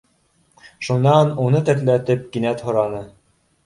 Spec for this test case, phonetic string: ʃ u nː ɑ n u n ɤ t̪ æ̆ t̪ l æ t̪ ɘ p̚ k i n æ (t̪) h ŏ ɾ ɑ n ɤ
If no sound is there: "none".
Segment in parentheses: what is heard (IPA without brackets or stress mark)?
t̪